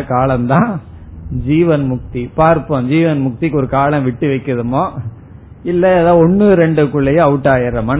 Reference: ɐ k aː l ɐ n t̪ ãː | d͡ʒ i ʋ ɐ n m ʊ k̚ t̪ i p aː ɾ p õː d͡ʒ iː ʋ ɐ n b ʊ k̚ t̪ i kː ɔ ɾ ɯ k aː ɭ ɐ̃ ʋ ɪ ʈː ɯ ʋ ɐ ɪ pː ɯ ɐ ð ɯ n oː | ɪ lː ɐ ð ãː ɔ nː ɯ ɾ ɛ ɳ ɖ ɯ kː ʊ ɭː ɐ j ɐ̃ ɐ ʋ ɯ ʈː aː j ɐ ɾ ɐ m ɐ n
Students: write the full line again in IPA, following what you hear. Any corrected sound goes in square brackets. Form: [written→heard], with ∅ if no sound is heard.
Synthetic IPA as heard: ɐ k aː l ɐ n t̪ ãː | d͡ʒ [i→iː] ʋ ɐ n m ʊ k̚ t̪ i p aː ɾ p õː d͡ʒ iː ʋ ɐ n [b→m] ʊ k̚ t̪ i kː ɔ ɾ ɯ k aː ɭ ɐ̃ ʋ ɪ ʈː ɯ ʋ ɐ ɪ [pː→kː] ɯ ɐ ð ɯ [n→m] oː | ɪ lː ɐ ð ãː ɔ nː ɯ ɾ ɛ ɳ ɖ ɯ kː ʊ ɭː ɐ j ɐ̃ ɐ ʋ ɯ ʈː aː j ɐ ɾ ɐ m ɐ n